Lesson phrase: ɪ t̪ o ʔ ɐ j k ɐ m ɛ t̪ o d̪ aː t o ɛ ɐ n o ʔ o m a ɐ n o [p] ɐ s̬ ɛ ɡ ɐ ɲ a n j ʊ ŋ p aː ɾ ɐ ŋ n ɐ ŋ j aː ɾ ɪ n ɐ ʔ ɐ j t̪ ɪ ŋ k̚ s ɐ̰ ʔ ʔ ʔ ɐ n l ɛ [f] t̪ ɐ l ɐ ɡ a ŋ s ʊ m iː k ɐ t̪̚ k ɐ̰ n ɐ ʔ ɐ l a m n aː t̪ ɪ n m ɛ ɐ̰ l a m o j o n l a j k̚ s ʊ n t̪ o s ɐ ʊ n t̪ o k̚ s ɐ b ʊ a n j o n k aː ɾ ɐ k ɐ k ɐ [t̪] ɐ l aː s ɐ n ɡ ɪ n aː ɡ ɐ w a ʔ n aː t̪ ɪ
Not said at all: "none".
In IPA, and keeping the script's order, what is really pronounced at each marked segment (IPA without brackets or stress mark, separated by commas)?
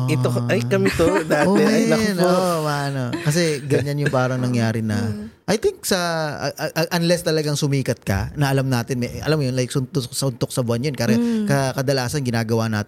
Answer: k, s, d̪